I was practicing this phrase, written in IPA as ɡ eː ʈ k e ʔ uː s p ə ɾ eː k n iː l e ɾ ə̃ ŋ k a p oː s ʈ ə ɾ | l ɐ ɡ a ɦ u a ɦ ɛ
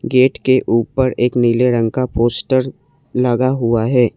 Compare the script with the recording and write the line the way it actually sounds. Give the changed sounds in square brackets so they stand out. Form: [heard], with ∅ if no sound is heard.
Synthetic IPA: ɡ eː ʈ k e ʔ uː [∅] p ə ɾ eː k n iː l e ɾ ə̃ ŋ k a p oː s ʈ ə ɾ | l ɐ ɡ a ɦ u a ɦ [ɛː]